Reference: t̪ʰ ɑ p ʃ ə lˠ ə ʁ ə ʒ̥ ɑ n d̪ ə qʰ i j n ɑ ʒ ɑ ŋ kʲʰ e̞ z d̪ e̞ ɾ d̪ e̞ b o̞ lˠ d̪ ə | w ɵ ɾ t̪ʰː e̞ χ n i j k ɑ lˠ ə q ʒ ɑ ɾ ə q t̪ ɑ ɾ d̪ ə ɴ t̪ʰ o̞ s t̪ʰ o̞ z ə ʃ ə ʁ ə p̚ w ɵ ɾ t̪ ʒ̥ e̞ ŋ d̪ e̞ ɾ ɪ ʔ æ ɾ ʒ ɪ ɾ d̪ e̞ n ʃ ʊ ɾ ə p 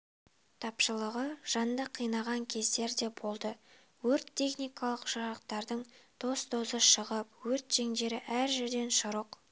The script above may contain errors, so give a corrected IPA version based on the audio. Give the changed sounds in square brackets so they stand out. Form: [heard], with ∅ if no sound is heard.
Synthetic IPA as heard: t̪ʰ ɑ p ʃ ə lˠ ə ʁ ə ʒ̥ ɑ n d̪ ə qʰ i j n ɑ [ʁ] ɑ ŋ kʲʰ e̞ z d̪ e̞ ɾ d̪ e̞ b o̞ lˠ d̪ ə | w ɵ ɾ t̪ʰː e̞ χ n i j k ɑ lˠ ə q ʒ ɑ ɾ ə q t̪ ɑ ɾ d̪ ə ɴ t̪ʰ o̞ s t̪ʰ o̞ z ə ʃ ə ʁ ə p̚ w ɵ ɾ t̪ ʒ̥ e̞ ŋ d̪ e̞ ɾ ɪ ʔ æ ɾ ʒ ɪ ɾ d̪ e̞ n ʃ ʊ ɾ ə [q]